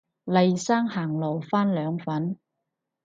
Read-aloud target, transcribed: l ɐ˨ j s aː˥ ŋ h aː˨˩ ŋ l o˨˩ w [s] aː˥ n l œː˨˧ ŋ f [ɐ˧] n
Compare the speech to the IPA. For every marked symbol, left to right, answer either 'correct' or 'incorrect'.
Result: incorrect: f, incorrect: ɐ˨˥

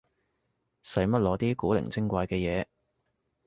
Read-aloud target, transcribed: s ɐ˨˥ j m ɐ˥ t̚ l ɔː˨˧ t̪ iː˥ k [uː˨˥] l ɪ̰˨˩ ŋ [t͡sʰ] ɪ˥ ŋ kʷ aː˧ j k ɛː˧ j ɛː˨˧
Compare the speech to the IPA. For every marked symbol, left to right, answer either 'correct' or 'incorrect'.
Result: correct, incorrect: t͡s

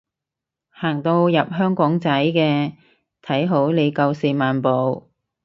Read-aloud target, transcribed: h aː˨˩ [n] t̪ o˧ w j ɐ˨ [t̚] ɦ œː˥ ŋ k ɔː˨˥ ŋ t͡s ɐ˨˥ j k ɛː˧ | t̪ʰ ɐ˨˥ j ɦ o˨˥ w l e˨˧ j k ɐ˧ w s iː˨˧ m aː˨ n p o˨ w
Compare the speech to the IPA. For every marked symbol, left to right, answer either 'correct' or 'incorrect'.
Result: incorrect: ŋ, incorrect: p̚

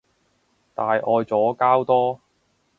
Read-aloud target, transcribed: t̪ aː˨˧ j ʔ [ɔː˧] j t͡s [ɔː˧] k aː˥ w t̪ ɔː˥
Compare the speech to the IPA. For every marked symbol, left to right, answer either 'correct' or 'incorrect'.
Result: correct, incorrect: ɔː˨˥

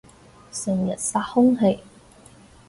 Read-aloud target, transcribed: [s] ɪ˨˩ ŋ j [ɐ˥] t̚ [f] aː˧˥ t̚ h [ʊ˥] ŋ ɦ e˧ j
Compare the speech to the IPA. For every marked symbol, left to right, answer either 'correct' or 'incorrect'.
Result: correct, incorrect: ɐ˨˩, incorrect: s, correct

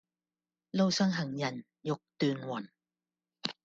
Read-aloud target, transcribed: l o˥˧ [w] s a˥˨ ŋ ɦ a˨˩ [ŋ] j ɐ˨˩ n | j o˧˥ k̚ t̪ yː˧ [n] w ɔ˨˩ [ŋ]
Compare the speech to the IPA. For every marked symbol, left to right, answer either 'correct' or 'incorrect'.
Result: correct, correct, correct, incorrect: n

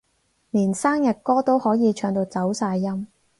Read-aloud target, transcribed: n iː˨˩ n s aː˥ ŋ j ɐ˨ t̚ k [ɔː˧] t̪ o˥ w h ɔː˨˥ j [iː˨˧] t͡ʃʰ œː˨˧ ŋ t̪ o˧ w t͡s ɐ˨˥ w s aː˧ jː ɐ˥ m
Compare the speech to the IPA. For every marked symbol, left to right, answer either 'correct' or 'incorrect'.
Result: incorrect: ɔː˥, correct

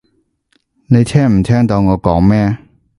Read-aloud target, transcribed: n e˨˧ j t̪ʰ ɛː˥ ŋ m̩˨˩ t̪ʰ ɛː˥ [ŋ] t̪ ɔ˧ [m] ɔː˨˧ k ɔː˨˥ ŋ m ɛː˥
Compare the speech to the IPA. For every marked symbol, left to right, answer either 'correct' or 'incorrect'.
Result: correct, incorrect: ŋ

